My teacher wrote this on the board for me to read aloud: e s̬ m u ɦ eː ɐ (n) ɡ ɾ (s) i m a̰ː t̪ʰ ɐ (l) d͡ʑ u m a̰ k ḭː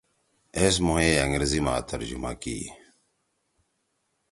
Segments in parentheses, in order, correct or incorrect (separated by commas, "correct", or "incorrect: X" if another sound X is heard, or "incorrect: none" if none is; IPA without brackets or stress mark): incorrect: ŋ, incorrect: z, incorrect: ɾ